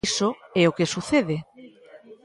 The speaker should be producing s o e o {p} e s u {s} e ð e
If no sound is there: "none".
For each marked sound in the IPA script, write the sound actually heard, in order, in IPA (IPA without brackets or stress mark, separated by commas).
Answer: k, θ